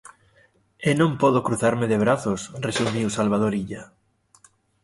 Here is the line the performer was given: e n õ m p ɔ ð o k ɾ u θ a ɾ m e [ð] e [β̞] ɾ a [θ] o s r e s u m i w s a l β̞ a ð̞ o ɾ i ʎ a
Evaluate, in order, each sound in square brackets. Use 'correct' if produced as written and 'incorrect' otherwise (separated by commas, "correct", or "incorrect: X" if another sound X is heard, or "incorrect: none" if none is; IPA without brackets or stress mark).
correct, correct, correct